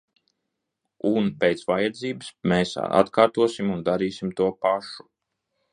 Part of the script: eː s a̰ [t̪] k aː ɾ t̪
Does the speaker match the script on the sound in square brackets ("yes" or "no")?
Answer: yes